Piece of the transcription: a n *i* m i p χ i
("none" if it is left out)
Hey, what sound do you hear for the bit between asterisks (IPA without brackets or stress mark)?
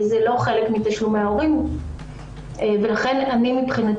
i